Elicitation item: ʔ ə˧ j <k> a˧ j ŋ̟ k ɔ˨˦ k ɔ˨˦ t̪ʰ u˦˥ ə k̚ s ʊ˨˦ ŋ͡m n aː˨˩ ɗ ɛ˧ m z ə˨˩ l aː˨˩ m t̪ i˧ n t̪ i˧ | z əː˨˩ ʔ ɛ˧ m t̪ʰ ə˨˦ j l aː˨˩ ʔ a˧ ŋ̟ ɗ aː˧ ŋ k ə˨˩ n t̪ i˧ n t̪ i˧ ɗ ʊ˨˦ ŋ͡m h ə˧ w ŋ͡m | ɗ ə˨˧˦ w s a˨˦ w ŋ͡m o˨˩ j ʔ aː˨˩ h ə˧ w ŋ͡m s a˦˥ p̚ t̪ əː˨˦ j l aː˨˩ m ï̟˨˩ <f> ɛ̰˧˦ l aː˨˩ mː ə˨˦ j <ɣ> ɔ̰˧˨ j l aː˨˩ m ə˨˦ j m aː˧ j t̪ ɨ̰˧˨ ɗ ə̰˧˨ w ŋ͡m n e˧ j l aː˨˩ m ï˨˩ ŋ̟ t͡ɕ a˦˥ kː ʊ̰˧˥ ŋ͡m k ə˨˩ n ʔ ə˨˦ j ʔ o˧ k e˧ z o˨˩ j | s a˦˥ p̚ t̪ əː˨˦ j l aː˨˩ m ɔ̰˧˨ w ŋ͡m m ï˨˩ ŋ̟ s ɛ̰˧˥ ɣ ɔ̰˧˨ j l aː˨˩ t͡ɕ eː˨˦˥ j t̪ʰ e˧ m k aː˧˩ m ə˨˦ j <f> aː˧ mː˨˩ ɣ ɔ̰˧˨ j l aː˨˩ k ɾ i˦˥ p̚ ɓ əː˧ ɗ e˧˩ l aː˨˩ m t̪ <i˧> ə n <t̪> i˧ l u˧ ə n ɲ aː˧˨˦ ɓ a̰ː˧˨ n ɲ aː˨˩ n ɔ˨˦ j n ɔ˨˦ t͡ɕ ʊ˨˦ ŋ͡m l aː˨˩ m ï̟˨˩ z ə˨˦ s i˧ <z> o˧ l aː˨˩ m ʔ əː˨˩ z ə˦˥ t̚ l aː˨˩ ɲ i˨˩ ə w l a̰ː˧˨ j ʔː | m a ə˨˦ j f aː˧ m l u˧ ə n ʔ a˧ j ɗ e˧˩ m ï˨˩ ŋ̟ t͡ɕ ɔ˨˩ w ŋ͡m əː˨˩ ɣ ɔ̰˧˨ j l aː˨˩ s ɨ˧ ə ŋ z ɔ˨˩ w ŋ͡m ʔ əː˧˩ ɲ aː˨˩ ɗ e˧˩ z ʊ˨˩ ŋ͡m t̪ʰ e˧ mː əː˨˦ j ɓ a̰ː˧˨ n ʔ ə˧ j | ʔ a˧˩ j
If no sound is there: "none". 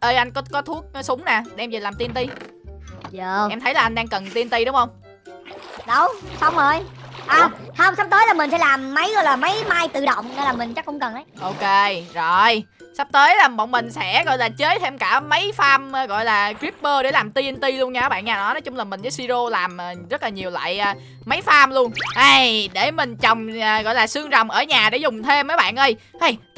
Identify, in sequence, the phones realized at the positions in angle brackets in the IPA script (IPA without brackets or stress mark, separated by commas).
ʔ, s, ɣ, f, i˧, t̪, z